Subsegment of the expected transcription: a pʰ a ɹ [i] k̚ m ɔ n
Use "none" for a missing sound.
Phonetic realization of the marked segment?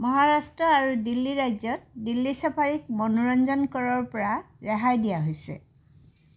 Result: i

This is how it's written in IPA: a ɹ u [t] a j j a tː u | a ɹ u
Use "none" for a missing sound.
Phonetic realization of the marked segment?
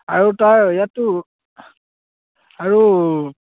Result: t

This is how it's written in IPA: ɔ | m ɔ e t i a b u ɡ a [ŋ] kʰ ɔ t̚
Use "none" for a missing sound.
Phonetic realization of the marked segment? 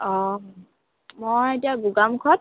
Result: m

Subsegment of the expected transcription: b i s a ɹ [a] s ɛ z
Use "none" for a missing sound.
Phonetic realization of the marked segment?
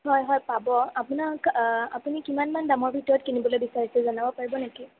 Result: i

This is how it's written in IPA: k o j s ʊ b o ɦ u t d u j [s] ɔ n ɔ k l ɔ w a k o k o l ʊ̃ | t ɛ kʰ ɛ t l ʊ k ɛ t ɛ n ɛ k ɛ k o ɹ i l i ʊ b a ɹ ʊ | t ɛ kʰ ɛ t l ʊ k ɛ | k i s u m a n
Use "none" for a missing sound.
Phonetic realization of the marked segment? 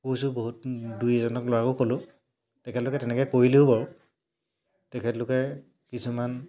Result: z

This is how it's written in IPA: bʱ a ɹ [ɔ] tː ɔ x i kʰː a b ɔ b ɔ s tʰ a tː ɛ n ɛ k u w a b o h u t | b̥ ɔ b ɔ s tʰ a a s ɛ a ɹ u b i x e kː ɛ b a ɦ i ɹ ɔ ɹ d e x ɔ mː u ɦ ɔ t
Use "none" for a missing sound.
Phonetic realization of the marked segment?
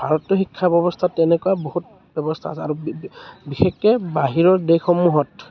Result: ɔ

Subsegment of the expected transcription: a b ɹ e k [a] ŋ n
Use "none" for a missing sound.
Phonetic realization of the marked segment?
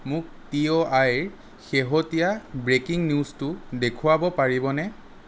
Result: i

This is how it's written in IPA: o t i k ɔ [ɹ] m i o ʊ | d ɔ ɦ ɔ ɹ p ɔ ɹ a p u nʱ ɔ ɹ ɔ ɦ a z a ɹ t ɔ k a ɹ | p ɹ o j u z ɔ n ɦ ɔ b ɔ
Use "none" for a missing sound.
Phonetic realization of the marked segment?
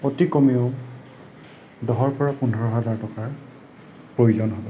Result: none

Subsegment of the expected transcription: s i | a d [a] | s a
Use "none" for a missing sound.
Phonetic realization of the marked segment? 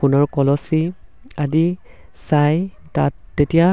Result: i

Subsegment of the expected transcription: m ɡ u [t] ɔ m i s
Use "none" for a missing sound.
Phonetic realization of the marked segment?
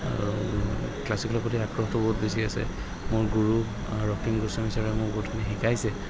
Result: s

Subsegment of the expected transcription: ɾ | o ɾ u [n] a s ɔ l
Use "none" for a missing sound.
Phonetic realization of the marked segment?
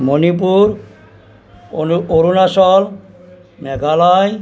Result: n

